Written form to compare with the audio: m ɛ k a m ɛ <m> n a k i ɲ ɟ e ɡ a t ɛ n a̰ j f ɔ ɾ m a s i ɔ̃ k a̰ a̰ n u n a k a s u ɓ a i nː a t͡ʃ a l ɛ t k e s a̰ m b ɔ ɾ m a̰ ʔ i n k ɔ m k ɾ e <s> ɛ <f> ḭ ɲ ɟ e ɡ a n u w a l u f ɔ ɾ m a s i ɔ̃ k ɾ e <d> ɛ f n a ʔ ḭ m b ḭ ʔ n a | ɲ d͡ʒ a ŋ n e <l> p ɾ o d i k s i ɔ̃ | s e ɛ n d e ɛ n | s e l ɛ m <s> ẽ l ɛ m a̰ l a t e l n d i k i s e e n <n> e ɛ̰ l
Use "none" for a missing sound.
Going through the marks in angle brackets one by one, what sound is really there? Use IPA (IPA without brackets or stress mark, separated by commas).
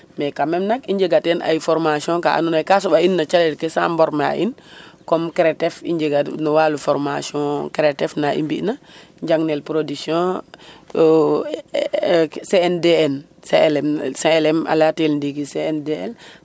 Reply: m, t, f, t, l, s, d